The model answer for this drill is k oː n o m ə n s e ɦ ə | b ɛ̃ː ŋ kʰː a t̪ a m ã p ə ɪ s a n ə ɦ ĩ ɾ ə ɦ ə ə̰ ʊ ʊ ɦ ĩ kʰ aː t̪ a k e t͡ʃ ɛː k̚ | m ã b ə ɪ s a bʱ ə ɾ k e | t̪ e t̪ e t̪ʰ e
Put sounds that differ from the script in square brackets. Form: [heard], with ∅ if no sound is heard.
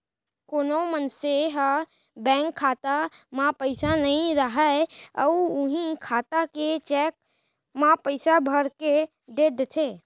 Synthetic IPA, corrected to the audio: k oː n o m ə n s e ɦ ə | b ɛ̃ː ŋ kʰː a t̪ a m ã p ə ɪ s a n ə ɦ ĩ ɾ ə ɦ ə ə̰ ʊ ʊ ɦ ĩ kʰ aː t̪ a k e t͡ʃ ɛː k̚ | m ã [p] ə ɪ s a bʱ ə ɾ k e | [d̪] e [d̪] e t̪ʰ e